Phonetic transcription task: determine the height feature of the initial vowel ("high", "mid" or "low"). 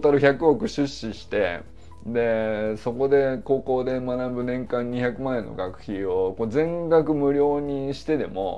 low